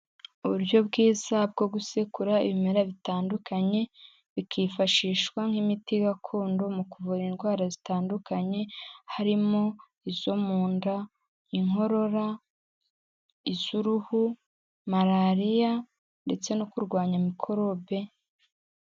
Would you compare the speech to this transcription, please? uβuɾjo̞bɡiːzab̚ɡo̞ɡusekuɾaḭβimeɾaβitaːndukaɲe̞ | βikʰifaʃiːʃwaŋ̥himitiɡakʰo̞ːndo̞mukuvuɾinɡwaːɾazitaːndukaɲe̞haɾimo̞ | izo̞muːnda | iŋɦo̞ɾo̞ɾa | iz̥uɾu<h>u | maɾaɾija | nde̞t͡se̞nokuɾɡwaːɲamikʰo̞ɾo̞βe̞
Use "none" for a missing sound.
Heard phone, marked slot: h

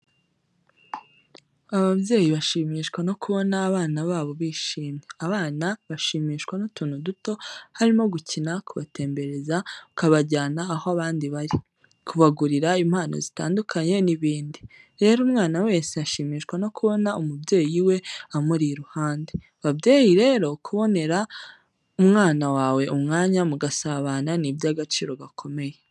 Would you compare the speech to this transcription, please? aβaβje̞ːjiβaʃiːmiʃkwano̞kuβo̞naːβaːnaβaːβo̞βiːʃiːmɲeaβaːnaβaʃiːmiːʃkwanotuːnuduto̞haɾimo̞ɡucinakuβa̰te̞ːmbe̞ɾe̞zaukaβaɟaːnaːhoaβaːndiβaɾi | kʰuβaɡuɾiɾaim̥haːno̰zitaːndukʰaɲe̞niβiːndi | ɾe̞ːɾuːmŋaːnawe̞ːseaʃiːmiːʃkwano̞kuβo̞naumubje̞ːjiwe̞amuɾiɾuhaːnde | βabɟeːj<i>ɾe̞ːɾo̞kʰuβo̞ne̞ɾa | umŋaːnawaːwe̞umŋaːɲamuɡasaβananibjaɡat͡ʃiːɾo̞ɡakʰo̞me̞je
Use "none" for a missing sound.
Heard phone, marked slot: i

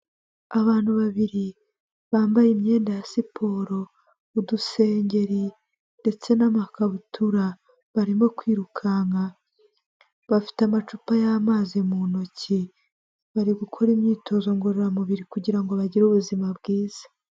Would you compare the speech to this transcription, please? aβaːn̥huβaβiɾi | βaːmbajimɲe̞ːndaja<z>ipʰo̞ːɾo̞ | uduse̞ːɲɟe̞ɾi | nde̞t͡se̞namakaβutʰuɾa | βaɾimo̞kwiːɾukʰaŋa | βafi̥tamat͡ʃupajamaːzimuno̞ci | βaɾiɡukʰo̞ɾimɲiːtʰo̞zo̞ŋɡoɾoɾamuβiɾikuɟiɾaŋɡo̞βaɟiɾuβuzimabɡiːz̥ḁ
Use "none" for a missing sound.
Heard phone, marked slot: s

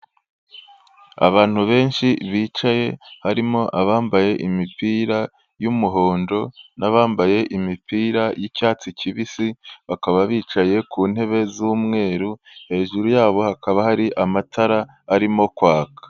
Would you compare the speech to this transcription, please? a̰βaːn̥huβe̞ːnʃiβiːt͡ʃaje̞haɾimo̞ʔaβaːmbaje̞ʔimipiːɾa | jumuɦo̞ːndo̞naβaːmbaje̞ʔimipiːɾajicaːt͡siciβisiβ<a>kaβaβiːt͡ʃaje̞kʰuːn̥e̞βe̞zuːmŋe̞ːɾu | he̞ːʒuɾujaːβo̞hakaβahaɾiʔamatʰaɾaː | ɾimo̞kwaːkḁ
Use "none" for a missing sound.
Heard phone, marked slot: a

